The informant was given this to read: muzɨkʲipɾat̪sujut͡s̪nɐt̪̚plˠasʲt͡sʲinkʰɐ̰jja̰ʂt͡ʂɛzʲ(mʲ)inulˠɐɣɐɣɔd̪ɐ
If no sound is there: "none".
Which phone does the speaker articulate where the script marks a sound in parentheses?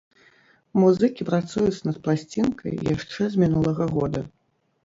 mʲ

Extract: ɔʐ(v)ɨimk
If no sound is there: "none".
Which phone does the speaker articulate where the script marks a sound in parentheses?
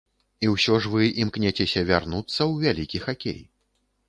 v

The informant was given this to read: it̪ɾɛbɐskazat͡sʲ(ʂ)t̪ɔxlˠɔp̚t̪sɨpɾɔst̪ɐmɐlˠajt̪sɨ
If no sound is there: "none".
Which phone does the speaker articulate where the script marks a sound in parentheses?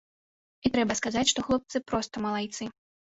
ʂ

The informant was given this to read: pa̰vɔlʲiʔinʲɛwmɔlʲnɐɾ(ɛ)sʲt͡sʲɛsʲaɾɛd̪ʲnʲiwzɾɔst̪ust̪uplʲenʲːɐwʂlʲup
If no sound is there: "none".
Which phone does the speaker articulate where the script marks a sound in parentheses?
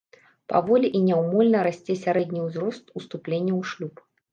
a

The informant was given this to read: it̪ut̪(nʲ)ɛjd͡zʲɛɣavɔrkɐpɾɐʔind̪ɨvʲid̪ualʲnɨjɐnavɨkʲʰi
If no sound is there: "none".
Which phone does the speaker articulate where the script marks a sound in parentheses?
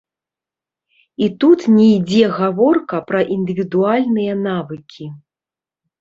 nʲ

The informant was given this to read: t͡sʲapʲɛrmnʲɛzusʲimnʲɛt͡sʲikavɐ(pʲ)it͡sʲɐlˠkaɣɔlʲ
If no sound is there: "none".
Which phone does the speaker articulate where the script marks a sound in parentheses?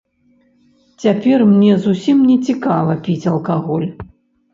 pʲ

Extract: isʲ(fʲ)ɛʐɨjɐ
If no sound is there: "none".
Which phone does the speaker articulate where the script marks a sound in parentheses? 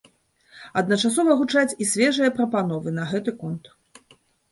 vʲ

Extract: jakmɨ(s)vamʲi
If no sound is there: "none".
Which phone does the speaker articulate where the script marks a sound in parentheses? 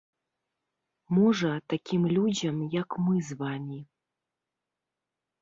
z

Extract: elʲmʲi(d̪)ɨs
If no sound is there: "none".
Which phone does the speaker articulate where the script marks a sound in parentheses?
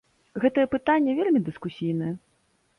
d̪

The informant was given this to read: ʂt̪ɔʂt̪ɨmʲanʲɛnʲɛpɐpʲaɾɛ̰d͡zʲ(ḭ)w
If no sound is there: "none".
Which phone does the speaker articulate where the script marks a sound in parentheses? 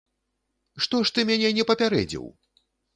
ḭ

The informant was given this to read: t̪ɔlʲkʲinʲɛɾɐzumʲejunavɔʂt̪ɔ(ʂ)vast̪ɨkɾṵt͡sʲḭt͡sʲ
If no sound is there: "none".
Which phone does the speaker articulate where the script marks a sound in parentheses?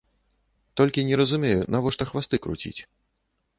x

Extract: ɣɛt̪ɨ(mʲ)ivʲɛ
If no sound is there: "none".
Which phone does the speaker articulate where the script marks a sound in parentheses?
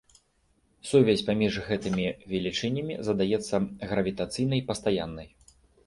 mʲ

